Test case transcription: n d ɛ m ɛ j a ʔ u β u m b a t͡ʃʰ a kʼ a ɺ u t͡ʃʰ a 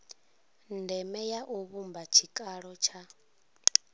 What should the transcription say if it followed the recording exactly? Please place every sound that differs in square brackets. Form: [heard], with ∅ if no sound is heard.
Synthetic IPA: n d ɛ m ɛ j a ʔ u β u m b a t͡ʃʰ [i] kʼ a ɺ [ɔ] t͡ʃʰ a